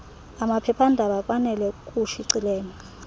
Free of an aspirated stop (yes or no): no